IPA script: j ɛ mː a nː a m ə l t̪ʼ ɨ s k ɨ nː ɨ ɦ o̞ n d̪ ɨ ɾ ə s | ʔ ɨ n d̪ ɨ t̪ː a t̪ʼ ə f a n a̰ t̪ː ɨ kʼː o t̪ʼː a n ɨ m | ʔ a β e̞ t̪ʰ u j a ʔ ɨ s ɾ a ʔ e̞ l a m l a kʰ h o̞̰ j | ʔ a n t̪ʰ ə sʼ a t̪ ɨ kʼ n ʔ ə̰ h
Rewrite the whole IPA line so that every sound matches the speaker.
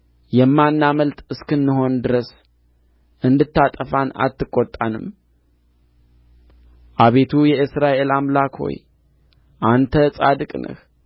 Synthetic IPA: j ɛ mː a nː a m ə l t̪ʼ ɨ s k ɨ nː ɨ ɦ o̞ n d̪ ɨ ɾ ə s | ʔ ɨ n d̪ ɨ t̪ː a t̪ʼ ə f a n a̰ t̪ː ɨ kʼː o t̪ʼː a n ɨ m | ʔ a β e̞ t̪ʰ u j ɛ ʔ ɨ s ɾ a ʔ e̞ l a m l a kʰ h o̞̰ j | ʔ a n t̪ʰ ə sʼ a d̪ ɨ kʼ n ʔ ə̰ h